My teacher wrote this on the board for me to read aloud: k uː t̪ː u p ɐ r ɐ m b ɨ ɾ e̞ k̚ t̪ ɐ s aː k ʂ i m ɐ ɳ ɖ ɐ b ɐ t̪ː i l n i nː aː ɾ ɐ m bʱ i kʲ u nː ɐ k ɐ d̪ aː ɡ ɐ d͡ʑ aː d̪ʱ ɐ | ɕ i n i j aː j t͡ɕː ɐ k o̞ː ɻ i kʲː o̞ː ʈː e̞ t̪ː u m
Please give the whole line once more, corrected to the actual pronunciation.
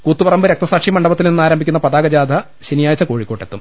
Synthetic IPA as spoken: k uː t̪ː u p ɐ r ɐ m b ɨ ɾ e̞ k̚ t̪ ɐ s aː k ʂ i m ɐ ɳ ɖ ɐ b ɐ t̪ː i l n i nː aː ɾ ɐ m bʱ i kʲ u nː ɐ p ɐ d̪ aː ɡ ɐ d͡ʑ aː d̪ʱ ɐ | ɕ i n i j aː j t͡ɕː ɐ k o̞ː ɻ i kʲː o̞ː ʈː e̞ t̪ː u m